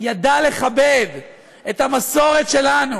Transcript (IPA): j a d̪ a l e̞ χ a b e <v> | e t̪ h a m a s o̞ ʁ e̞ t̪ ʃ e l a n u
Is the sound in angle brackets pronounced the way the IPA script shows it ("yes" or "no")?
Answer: yes